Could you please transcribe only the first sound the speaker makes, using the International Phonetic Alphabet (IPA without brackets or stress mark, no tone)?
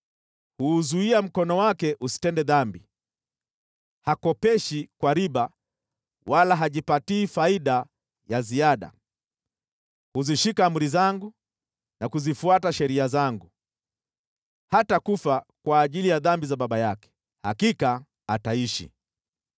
h